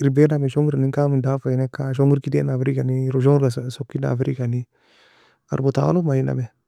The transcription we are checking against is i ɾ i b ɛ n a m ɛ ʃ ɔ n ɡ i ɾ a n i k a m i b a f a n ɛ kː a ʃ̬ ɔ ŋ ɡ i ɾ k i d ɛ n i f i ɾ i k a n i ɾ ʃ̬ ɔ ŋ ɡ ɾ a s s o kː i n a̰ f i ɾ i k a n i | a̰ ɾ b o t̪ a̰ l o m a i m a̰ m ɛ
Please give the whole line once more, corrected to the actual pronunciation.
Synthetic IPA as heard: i ɾ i b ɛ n a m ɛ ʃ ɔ ŋ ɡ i ɾ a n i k a m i d a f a n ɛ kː a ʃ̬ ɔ ŋ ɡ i ɾ k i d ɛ n a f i ɾ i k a n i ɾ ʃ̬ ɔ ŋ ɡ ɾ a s s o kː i n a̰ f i ɾ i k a n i | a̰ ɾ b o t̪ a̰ l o m a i n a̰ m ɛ